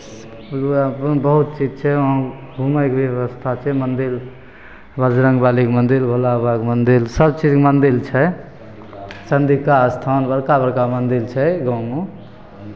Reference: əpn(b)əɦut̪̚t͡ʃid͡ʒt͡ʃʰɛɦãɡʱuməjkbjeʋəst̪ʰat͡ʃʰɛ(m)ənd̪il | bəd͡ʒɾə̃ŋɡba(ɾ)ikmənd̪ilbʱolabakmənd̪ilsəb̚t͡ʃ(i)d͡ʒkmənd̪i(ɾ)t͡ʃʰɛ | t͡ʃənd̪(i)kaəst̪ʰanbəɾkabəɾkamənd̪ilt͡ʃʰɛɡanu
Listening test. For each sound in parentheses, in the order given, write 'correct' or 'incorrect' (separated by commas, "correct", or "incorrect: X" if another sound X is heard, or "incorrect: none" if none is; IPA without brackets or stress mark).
correct, correct, incorrect: l, correct, incorrect: l, correct